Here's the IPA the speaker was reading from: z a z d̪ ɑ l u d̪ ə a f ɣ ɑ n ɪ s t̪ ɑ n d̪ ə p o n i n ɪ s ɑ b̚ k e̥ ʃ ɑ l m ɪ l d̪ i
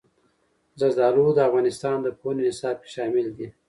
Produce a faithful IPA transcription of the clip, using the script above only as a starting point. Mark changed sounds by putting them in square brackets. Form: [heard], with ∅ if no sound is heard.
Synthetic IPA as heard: z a z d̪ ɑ l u d̪ ə a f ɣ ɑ n ɪ s t̪ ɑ n d̪ ə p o n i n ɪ s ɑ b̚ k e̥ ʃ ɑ [∅] m ɪ l d̪ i